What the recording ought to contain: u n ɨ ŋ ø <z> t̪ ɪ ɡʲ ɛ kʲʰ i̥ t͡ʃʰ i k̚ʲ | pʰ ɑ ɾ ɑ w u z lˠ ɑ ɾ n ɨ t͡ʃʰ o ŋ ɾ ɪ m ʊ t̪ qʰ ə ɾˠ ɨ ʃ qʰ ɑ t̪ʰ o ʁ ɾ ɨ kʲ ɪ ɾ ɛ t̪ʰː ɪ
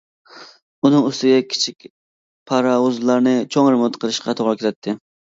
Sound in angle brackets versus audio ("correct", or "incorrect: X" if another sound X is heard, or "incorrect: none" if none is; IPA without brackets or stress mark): incorrect: s